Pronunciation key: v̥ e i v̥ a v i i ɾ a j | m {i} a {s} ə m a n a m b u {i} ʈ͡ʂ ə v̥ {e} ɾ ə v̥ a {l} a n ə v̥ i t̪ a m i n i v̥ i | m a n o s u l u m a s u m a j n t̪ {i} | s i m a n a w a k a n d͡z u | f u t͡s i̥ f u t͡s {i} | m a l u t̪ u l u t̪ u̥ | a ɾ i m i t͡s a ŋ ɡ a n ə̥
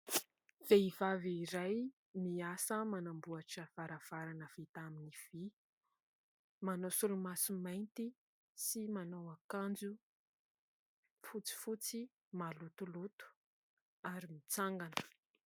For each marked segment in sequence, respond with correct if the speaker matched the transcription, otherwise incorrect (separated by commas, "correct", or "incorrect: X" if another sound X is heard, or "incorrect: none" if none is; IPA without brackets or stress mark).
correct, correct, incorrect: a, incorrect: a, incorrect: ɾ, correct, correct